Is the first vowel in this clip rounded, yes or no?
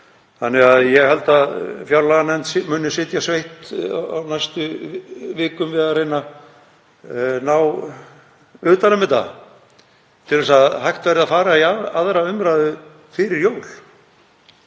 no